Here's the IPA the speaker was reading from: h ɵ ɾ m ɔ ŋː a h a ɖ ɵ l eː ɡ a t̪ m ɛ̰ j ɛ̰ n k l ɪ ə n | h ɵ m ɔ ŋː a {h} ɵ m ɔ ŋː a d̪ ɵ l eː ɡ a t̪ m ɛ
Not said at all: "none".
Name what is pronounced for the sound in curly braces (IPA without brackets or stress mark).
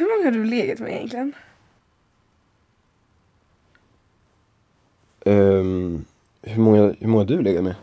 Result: h